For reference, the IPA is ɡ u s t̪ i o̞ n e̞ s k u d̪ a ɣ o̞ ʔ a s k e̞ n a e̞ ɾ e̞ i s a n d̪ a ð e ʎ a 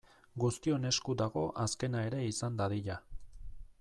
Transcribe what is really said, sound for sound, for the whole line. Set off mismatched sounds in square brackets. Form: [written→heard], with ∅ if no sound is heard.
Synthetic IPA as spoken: ɡ u s t̪ i o̞ n e̞ s k u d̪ a ɣ o̞ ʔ a s k e̞ n a e̞ ɾ e̞ i s a n d̪ a ð [e→i] ʎ a